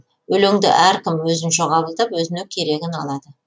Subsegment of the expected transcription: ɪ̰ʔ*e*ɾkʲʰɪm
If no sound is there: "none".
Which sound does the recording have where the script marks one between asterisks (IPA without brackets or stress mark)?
æ